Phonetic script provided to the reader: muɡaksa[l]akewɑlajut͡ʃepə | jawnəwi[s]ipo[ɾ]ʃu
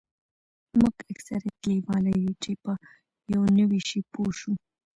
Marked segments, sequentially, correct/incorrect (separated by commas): incorrect, incorrect, incorrect